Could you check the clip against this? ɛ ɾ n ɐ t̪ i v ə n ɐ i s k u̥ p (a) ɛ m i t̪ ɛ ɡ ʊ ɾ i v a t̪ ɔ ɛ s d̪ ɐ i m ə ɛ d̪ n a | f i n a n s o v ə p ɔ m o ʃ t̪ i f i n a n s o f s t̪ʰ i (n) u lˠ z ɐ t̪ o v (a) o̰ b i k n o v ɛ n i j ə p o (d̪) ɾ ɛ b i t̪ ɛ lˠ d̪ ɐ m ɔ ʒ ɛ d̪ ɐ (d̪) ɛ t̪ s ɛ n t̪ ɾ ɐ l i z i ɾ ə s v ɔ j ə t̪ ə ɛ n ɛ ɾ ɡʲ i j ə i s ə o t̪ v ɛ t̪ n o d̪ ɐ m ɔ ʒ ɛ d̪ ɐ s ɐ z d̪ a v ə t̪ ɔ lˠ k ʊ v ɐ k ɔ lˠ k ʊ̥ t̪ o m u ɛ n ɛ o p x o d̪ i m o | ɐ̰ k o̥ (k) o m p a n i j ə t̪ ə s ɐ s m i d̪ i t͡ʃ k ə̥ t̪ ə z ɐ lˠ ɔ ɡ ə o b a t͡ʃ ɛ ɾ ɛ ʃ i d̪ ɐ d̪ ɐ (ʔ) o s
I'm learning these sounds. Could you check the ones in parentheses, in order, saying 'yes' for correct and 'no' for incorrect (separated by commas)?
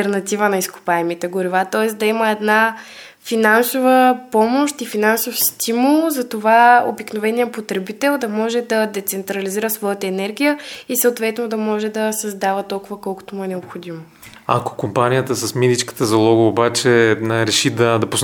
yes, no, yes, no, yes, yes, no